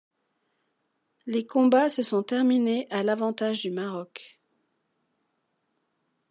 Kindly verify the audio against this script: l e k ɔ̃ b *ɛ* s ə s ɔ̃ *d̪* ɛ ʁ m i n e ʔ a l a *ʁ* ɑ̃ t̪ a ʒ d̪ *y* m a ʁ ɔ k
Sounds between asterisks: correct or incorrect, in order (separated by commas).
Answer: incorrect, incorrect, incorrect, correct